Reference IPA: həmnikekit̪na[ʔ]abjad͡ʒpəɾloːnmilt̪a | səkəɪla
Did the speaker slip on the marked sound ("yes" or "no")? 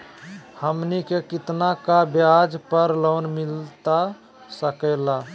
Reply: yes